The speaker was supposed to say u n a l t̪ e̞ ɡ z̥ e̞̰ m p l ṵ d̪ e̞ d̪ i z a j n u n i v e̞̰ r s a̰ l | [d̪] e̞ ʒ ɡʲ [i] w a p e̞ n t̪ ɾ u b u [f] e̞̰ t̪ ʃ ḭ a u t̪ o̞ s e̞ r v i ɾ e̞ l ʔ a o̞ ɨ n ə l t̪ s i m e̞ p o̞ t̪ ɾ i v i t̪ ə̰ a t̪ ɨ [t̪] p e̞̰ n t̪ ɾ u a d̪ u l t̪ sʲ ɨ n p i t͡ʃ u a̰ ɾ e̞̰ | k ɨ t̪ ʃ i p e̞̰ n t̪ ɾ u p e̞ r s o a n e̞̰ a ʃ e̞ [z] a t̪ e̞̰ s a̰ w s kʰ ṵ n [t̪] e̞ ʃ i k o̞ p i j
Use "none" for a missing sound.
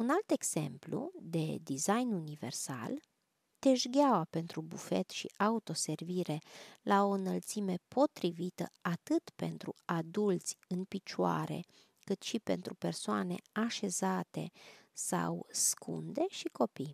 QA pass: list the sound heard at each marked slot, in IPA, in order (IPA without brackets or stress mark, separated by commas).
t̪, a, f, t̪, z, d̪